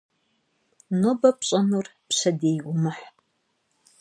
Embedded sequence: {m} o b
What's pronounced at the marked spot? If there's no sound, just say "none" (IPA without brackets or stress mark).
n